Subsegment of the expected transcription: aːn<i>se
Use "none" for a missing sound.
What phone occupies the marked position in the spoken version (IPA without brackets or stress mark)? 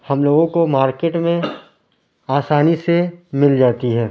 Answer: i